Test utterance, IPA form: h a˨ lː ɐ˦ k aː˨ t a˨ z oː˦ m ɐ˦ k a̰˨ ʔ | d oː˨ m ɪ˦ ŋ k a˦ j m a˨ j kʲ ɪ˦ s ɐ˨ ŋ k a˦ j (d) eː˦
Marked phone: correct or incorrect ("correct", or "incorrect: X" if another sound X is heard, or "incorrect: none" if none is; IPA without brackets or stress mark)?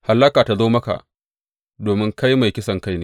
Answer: incorrect: n